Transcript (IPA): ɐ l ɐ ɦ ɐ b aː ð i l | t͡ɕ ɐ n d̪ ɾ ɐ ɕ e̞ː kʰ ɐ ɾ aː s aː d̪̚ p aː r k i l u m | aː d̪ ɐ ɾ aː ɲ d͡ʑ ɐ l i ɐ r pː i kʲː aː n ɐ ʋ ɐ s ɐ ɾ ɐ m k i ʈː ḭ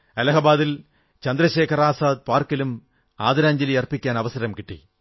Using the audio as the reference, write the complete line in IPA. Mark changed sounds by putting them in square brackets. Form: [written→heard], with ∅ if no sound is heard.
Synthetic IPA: ɐ l ɐ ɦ ɐ b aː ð i l | t͡ɕ ɐ n d̪ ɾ ɐ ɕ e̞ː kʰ ɐ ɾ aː s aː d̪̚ p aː r k i l u m | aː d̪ ɐ ɾ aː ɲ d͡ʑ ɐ l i ɐ r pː i kʲː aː n ɐ ʋ ɐ s ɐ ɾ ɐ m k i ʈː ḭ